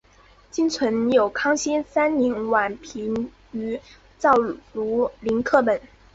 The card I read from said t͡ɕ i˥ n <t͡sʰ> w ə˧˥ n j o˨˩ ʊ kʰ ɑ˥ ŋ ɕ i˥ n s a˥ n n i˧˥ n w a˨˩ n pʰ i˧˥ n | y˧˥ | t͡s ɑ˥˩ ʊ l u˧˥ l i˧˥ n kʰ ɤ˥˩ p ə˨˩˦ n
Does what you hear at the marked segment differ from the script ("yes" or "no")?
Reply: no